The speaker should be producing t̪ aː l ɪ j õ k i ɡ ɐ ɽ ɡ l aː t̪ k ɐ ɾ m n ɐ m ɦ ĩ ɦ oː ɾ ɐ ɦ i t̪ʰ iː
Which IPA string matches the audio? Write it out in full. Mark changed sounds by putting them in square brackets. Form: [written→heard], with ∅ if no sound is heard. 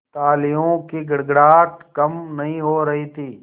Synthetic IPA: t̪ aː l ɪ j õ k i ɡ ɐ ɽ ɡ [l→ɽ] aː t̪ k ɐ [ɾ→∅] m n ɐ [m→∅] ɦ ĩ ɦ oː ɾ ɐ ɦ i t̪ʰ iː